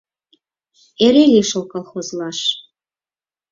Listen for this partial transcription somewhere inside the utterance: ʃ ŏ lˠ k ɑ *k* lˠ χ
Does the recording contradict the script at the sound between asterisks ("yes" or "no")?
yes